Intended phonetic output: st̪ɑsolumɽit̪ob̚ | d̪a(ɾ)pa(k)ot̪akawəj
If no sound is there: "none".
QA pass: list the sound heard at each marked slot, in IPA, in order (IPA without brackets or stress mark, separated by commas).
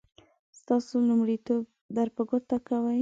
ɾ, ɡ